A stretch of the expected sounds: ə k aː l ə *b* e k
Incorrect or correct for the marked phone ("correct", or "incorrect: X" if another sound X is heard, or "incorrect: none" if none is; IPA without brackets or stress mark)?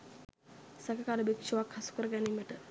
correct